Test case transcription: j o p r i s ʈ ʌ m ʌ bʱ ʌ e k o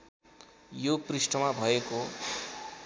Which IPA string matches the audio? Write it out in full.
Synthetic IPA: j o p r i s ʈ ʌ m a bʱ ʌ e k o